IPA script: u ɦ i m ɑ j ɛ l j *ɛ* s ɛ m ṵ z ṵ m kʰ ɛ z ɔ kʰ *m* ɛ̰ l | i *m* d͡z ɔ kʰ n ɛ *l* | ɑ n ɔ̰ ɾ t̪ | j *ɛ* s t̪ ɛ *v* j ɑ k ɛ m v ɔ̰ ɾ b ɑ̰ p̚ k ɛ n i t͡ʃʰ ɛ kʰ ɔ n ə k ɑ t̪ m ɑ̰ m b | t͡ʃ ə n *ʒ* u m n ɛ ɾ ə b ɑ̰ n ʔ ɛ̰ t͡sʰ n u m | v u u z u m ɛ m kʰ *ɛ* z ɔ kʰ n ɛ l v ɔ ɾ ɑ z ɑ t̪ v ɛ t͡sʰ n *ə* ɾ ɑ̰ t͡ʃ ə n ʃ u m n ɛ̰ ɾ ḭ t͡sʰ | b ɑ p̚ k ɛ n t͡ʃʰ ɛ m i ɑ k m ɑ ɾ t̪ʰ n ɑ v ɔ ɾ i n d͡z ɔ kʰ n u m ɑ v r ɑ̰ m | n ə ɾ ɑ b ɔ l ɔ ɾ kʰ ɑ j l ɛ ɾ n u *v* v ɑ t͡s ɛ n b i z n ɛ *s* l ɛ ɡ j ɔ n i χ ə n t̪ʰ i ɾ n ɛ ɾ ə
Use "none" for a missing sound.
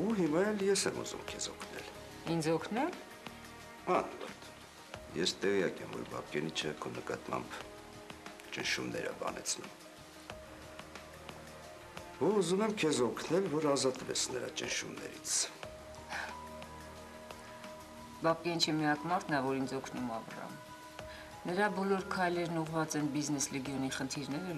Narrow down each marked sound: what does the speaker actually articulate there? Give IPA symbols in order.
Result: ɛ, n, n, l, ɛ, ʁ, ʃ, ɛ, ə, ʁ, s

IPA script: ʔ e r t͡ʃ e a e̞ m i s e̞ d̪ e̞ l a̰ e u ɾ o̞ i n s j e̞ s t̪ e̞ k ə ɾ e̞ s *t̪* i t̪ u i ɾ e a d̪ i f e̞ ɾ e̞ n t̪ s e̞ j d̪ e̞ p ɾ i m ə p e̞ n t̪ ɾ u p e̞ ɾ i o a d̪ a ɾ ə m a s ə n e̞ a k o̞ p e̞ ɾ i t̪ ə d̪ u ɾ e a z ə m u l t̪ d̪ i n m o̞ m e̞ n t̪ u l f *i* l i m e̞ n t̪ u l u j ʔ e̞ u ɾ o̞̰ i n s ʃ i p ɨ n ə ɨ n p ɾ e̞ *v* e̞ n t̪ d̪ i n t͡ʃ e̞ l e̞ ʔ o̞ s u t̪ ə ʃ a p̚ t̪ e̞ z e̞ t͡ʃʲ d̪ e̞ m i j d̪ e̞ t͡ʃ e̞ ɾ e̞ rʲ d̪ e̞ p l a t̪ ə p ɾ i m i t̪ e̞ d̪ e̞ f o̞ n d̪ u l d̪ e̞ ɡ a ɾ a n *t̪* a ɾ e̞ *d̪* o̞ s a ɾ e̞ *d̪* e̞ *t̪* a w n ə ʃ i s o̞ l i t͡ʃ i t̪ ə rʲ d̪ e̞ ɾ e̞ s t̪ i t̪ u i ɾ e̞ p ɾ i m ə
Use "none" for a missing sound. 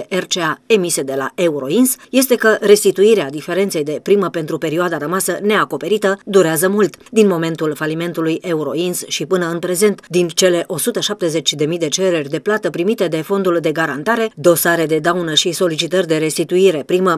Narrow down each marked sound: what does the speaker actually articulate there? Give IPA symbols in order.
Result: t̪, a, z, t̪, d̪, d̪, d̪

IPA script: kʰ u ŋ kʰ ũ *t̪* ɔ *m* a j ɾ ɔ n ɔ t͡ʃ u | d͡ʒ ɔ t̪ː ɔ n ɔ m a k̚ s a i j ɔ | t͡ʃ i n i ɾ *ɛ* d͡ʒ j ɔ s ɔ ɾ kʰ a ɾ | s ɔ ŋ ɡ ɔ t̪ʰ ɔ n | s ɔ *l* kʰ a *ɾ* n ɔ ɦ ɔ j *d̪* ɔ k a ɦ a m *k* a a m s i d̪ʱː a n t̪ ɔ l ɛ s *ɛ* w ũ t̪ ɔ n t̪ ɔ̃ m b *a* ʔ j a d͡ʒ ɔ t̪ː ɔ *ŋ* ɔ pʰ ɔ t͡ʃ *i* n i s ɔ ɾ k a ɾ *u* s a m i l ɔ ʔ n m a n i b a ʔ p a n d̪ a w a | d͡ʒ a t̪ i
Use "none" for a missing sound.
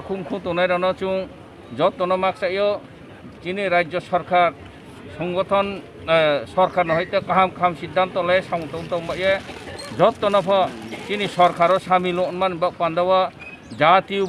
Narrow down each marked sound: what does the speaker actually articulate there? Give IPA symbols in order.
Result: t̪, n, a, ɾ, ɾ, t̪, k, a, a, n, i, ɔ

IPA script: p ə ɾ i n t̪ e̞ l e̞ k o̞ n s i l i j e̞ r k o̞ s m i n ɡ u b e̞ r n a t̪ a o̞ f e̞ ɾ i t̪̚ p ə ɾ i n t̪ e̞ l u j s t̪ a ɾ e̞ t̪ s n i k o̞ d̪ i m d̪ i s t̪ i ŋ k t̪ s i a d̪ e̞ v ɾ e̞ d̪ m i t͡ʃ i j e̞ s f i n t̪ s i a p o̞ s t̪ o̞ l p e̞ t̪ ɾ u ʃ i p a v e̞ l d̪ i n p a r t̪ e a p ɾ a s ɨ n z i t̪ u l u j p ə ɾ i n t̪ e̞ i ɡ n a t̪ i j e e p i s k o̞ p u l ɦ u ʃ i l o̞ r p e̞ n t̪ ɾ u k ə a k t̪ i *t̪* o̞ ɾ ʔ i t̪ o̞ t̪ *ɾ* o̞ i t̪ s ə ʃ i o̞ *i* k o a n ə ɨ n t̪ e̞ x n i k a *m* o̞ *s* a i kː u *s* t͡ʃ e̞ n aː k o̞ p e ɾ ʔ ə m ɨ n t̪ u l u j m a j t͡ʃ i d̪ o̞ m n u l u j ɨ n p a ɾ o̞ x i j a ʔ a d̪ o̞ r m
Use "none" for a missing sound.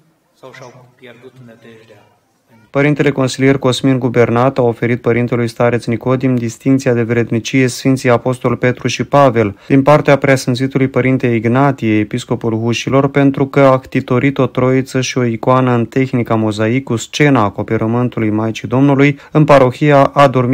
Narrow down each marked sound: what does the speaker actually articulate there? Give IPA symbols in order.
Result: t̪, ɾ, i, m, z, s

